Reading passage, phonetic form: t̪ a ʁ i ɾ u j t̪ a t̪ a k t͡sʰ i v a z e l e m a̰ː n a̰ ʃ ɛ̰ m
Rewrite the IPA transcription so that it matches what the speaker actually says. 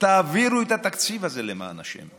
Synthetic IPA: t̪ a v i ɾ u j t̪ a t̪ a k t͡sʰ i v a z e l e m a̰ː n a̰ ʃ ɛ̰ m